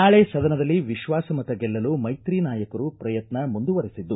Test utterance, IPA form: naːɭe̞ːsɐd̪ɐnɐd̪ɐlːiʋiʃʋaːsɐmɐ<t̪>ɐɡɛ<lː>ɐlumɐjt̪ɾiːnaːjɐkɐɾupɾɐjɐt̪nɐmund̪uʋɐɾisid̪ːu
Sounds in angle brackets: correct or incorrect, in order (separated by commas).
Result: correct, correct